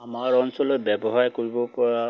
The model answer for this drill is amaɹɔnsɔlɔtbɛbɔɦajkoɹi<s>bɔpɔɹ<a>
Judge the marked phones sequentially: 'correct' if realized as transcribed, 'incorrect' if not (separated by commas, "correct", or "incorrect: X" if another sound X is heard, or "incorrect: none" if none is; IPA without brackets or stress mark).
incorrect: none, correct